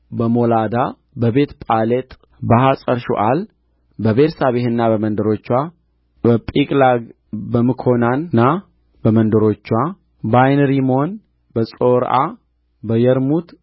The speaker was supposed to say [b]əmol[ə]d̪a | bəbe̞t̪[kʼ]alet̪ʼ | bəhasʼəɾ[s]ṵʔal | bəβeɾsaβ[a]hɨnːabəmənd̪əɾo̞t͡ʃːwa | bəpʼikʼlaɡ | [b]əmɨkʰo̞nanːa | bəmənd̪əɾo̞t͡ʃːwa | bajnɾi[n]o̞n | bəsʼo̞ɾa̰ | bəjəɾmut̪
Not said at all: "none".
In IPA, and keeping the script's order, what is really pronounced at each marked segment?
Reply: b, a, pʼ, ʃ, e, b, m

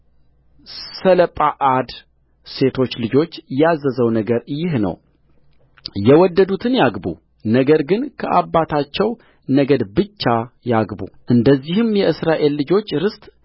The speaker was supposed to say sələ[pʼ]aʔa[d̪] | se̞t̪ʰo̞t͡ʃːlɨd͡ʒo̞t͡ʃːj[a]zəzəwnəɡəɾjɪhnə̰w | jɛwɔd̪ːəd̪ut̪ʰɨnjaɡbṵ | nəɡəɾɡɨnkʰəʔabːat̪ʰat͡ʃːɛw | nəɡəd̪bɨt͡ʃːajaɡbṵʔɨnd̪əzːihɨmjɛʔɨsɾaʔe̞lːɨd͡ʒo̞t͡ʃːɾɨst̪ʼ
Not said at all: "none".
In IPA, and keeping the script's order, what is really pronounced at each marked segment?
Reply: pʼ, d̪, a

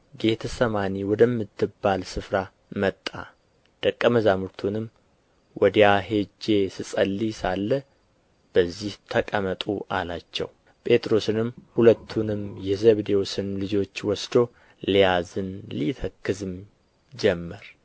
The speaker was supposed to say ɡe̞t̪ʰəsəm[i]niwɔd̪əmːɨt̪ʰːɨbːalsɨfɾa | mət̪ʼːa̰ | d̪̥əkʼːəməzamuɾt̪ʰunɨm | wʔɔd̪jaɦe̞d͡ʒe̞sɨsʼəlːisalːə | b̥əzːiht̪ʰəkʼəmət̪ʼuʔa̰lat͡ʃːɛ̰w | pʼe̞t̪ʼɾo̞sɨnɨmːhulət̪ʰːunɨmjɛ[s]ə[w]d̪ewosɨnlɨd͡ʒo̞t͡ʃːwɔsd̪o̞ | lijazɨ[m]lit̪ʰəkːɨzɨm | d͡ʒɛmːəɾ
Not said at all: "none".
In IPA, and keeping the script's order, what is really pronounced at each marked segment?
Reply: a, z, β, n

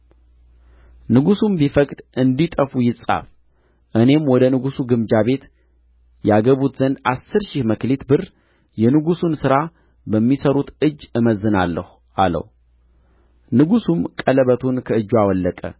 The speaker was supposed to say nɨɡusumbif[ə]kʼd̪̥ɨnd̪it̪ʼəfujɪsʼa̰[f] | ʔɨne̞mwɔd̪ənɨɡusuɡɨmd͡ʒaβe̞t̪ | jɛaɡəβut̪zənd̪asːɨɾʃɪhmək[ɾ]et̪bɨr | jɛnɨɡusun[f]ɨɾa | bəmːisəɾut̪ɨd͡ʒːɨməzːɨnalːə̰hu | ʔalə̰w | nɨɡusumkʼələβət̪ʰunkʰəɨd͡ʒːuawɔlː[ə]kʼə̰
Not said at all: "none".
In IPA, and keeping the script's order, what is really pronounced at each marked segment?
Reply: ə, f, l, s, ə

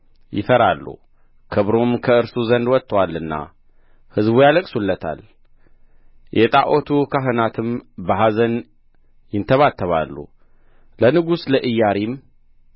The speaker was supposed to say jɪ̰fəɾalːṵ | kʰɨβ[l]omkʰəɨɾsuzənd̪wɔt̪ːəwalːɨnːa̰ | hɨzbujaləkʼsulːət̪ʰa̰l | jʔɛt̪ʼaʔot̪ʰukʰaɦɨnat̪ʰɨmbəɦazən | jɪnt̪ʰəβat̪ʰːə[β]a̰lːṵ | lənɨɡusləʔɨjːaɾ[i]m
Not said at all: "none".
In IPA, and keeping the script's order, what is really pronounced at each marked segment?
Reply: ɾ, β, i

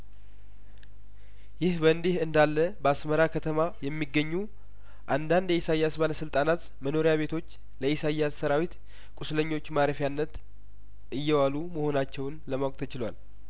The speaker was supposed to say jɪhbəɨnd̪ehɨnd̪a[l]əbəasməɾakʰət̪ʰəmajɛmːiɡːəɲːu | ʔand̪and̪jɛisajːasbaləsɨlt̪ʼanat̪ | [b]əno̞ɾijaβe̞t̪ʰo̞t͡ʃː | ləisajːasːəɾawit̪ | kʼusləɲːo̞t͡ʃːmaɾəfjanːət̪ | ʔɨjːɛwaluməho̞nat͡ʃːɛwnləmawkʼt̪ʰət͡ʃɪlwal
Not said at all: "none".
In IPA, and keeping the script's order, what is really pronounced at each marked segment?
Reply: lː, m

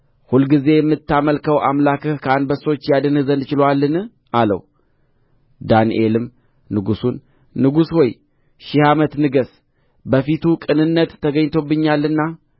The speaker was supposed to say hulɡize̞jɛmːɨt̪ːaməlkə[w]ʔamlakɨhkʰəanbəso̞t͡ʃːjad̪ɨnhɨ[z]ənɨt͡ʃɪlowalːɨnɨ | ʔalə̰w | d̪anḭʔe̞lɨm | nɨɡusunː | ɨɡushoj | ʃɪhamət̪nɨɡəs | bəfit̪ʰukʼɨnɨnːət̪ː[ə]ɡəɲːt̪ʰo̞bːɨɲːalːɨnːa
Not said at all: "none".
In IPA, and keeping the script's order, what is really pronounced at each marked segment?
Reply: w, z, ə

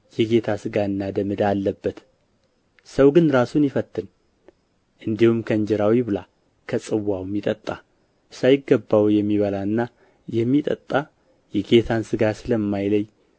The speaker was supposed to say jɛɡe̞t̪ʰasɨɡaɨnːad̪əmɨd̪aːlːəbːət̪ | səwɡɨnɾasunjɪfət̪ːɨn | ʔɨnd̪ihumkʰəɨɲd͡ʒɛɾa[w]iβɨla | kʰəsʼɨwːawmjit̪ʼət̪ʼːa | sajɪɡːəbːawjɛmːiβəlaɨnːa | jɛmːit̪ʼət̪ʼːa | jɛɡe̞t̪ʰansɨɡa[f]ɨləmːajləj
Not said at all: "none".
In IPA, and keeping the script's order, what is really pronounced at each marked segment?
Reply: w, s

